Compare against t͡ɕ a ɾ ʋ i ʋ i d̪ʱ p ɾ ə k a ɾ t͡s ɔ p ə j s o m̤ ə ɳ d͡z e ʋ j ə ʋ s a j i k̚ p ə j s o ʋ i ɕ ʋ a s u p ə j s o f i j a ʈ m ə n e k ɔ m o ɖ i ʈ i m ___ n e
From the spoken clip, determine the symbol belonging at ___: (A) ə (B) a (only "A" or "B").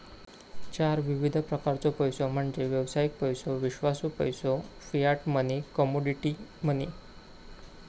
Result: A